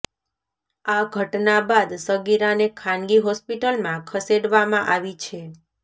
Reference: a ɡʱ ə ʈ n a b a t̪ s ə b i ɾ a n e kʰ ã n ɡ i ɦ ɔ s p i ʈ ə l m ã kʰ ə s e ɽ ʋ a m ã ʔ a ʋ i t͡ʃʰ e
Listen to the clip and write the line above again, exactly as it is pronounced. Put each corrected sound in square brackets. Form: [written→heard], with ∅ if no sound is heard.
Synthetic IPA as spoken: a ɡʱ ə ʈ n a b a [t̪→d̪] s ə [b→ɡ] i ɾ a n e kʰ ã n ɡ i ɦ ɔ s p i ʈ ə l m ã kʰ ə s e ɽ ʋ a m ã ʔ a ʋ i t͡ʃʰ e

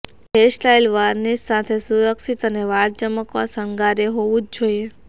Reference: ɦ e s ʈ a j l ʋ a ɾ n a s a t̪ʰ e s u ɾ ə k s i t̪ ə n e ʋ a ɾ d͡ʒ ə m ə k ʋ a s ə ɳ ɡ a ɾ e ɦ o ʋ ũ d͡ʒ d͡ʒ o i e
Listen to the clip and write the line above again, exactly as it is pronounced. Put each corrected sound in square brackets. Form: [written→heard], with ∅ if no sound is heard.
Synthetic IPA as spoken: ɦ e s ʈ a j l ʋ a ɾ n [a→i] s a t̪ʰ e s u ɾ ə k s i t̪ ə n e ʋ a ɾ d͡ʒ ə m ə k ʋ a s ə [ɳ→ŋ] ɡ a ɾ e ɦ o ʋ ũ d͡ʒ d͡ʒ o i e

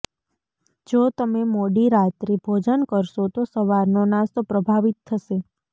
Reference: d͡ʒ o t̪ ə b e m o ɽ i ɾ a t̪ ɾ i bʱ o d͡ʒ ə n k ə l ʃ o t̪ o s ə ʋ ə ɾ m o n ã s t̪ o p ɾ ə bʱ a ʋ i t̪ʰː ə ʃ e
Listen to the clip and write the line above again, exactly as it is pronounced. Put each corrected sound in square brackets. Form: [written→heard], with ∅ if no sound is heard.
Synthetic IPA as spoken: d͡ʒ o t̪ ə [b→m] e m o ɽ i ɾ a t̪ ɾ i bʱ o d͡ʒ ə n k ə [l→ɾ] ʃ o t̪ o s ə ʋ [ə→a] ɾ [m→n] o n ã s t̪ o p ɾ ə bʱ a ʋ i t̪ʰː ə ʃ e

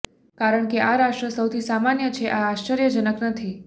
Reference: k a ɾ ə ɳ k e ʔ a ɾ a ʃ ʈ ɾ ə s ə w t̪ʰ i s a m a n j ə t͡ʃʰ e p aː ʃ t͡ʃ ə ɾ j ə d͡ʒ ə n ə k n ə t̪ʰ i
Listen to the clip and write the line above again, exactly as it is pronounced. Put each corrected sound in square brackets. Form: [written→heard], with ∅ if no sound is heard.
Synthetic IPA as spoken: k a ɾ ə ɳ k e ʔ a ɾ a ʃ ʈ ɾ ə s ə w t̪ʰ i s a m a n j ə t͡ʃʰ e [p→ʔ] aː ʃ t͡ʃ ə ɾ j ə d͡ʒ ə n ə k n ə t̪ʰ i

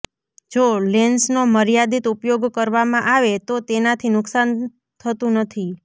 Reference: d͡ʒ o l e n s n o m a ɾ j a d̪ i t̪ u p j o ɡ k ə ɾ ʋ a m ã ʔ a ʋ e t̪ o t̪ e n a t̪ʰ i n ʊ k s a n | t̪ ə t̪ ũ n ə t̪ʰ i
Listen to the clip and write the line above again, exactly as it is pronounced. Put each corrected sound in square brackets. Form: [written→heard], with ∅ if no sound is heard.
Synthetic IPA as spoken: d͡ʒ o l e n s n o m [a→ə] ɾ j a d̪ i t̪ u p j o ɡ k ə ɾ ʋ a m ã ʔ a ʋ e t̪ o t̪ e n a t̪ʰ i n ʊ k s a n | [t̪→t̪ʰ] ə t̪ ũ n ə t̪ʰ i

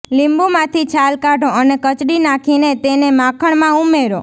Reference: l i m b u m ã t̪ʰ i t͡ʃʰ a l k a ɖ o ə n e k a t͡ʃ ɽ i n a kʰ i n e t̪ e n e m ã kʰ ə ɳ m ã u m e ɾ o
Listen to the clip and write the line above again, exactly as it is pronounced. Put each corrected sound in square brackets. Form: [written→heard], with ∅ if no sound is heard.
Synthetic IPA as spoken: l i m b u m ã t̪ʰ i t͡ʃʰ a l k a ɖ o ə n e k [a→ə] t͡ʃ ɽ i n a kʰ i n e t̪ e n e m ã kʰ ə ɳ m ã u m e ɾ o

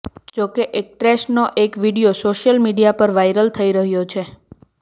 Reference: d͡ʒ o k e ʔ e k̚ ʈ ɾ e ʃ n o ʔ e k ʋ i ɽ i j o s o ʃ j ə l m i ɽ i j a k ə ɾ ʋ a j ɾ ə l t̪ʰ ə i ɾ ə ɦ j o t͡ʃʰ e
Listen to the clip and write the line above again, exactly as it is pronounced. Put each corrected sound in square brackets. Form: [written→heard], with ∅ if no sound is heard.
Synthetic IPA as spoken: d͡ʒ o k e ʔ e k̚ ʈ ɾ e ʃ n o ʔ e k ʋ i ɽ i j o s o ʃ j ə l m i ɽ i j a [k→p] ə ɾ ʋ a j ɾ ə l t̪ʰ ə i ɾ ə ɦ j o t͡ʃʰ e

